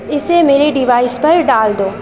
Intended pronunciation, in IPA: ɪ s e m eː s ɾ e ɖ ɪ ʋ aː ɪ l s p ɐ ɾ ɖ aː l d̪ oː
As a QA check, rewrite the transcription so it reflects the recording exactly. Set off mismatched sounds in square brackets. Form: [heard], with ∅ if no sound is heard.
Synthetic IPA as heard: ɪ s e m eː [∅] ɾ e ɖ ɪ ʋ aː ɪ [∅] s p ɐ ɾ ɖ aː l d̪ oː